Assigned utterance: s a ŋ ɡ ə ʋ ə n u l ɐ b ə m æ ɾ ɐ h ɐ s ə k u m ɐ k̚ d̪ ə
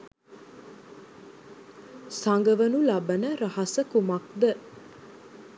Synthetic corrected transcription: s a ŋ ɡ ə ʋ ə n u l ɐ b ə n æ ɾ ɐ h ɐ s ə k u m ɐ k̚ d̪ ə